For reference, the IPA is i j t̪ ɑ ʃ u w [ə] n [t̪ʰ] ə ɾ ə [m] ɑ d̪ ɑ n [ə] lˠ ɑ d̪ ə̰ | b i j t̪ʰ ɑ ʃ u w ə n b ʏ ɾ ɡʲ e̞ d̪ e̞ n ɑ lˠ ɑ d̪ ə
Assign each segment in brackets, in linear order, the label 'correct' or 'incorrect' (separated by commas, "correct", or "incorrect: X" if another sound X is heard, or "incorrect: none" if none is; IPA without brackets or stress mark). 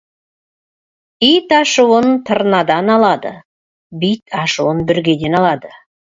correct, correct, incorrect: n, incorrect: ɑ